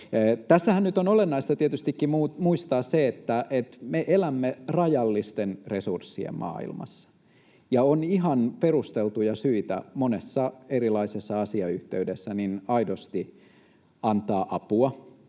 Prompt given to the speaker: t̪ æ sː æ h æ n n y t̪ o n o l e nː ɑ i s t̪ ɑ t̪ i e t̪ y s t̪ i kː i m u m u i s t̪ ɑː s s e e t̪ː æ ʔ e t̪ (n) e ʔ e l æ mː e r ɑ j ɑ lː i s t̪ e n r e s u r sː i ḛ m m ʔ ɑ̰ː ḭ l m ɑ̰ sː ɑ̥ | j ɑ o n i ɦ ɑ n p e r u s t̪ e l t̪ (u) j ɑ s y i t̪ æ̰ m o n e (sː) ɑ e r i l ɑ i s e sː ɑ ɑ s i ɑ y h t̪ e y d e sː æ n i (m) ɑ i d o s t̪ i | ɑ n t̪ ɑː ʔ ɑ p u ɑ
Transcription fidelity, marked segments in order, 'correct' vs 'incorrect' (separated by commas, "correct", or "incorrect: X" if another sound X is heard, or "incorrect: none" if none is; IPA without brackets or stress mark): incorrect: m, correct, correct, incorrect: n